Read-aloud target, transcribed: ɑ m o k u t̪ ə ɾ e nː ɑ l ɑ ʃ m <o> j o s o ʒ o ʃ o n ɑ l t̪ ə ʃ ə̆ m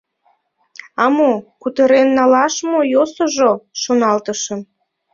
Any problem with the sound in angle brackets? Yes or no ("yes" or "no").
no